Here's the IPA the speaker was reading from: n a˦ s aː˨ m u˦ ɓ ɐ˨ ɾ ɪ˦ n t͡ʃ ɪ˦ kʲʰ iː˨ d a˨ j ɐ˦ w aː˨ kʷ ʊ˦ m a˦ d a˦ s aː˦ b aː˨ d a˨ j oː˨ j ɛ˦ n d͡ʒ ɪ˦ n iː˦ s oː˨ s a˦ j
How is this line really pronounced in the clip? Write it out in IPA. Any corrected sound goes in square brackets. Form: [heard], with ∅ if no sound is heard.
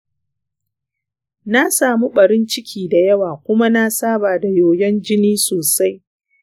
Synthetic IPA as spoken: n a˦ s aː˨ m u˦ ɓ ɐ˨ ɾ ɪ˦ n t͡ʃ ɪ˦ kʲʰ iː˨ d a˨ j ɐ˦ w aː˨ kʷ ʊ˦ m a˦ [n] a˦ s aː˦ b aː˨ d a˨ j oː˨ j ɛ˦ n d͡ʒ ɪ˦ n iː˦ s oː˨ s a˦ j